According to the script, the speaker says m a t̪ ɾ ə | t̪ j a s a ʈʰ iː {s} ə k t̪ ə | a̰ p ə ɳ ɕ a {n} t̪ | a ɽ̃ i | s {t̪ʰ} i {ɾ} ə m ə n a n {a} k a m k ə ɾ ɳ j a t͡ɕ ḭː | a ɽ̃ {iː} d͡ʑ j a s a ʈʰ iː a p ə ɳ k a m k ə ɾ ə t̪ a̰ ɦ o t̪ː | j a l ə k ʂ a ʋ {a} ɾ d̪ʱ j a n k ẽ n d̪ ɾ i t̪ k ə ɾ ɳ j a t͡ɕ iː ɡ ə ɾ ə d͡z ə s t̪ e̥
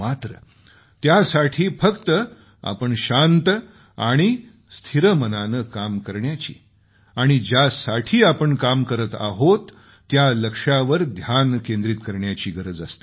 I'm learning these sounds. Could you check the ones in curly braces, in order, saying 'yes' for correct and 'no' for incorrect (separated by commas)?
no, yes, yes, yes, no, no, no